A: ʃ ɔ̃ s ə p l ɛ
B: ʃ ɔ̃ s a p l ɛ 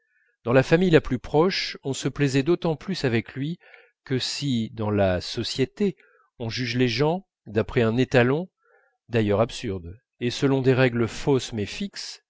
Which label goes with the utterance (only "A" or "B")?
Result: A